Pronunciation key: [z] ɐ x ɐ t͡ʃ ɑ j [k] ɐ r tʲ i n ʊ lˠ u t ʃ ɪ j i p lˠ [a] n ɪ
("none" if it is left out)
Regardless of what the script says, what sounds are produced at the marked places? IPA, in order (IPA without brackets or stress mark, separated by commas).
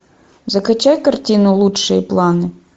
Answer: z, k, ɑ